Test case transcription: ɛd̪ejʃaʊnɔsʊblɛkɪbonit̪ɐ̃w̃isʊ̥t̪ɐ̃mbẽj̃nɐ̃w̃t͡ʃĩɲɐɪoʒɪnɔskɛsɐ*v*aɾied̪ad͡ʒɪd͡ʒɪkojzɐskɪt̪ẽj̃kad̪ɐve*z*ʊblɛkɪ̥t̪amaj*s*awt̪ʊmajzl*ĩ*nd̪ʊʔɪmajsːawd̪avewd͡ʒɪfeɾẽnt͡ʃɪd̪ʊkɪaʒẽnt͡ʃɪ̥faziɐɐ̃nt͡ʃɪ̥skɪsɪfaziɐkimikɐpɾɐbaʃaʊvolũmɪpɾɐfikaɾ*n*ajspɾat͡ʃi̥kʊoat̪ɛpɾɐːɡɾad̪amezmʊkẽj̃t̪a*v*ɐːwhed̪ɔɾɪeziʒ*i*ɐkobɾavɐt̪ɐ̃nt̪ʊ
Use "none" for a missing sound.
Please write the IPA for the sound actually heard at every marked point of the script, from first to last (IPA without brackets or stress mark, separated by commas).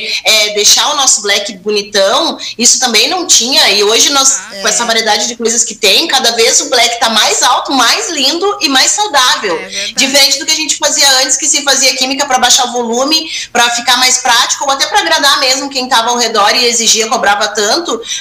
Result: v, z, z, ĩ, m, v, i